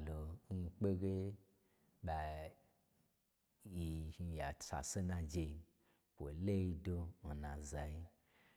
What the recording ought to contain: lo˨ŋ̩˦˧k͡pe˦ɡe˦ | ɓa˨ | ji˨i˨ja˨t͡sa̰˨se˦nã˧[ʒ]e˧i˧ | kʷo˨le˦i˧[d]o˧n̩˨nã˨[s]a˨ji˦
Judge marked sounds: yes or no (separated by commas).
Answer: no, yes, no